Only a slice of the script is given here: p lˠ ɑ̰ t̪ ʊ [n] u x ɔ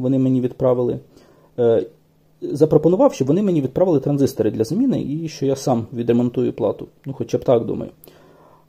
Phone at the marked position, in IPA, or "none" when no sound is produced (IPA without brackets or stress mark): n